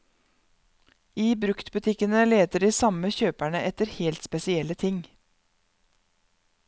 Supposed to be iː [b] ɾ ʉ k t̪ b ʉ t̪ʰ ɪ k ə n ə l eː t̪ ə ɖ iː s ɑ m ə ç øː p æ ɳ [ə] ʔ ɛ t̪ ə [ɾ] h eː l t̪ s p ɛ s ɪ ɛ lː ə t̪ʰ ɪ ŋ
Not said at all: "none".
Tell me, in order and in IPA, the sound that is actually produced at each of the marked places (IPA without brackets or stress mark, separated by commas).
b, ə, ɾ